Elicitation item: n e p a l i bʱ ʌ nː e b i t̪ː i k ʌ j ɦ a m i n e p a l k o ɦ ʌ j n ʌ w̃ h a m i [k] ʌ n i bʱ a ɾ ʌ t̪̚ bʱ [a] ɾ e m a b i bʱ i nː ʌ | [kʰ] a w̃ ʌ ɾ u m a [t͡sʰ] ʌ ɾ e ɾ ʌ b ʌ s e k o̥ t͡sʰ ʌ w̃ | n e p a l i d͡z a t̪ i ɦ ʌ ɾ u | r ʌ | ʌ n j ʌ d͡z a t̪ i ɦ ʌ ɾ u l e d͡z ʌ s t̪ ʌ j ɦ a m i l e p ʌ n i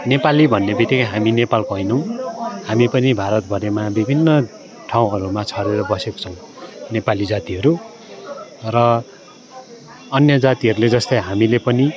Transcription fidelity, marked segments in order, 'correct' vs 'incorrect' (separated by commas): incorrect, incorrect, incorrect, correct